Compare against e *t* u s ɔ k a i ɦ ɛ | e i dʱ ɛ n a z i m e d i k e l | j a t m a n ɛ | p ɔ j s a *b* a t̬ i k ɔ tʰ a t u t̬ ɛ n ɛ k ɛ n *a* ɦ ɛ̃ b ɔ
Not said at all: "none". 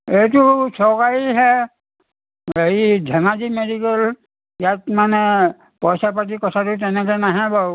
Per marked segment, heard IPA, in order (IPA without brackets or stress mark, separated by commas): t, p, a